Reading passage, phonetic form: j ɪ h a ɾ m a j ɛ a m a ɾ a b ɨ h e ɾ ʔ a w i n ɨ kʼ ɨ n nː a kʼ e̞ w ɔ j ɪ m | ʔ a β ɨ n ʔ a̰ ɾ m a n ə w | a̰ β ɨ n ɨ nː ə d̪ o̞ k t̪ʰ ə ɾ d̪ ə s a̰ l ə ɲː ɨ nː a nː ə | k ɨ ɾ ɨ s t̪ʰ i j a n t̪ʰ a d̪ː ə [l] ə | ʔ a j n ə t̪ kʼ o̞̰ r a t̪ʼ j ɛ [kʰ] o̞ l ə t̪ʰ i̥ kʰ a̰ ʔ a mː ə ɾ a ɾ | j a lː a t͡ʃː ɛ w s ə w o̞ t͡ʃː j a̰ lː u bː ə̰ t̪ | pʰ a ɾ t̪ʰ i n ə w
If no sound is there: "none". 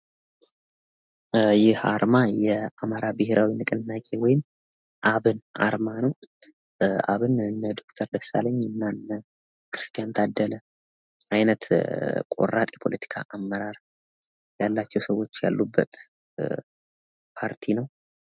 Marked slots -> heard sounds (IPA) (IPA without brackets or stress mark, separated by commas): l, pʰ